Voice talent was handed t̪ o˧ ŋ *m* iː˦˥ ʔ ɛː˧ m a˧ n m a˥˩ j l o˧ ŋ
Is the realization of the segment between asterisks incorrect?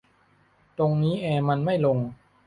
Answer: yes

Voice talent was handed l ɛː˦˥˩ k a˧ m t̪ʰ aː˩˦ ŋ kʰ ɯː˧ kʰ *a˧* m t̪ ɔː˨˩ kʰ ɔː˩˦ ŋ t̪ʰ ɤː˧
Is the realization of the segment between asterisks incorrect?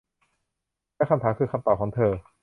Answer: no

